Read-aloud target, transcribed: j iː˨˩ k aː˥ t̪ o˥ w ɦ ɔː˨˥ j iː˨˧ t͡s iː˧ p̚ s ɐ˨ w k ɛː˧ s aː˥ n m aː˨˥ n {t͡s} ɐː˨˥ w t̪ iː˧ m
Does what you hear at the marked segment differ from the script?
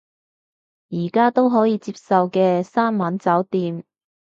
no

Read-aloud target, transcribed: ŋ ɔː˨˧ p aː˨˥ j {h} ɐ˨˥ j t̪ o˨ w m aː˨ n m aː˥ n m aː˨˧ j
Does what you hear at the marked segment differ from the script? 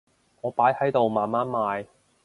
no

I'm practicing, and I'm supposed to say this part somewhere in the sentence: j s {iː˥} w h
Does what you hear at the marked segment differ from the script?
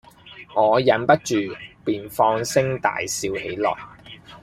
yes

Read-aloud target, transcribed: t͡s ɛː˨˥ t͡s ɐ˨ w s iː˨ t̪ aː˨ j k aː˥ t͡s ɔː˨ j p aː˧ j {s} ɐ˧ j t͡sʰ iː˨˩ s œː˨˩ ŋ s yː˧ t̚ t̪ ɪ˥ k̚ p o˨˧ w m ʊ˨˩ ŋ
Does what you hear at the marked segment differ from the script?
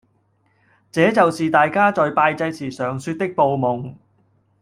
yes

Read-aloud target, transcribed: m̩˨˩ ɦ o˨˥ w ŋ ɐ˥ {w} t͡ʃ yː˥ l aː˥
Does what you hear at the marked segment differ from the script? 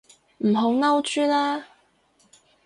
no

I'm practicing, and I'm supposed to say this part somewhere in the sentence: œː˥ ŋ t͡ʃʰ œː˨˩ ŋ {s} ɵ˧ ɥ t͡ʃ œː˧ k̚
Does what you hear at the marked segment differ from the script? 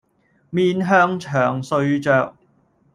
no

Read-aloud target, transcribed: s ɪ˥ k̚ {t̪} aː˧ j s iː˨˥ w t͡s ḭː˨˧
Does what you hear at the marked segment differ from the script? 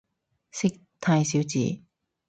yes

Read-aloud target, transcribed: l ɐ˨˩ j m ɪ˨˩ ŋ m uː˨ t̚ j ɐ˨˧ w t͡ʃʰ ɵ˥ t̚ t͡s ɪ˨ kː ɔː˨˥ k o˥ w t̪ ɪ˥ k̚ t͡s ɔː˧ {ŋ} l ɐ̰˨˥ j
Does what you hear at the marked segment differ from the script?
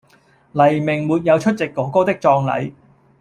no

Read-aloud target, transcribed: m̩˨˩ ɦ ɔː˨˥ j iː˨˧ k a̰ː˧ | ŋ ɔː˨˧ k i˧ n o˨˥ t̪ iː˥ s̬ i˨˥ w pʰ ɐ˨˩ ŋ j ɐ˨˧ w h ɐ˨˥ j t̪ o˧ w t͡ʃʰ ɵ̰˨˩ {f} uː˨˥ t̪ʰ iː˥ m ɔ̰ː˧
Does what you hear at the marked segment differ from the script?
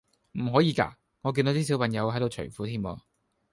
no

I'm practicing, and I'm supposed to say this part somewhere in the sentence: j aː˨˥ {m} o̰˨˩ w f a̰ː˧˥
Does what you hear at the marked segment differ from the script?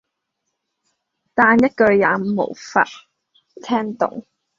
no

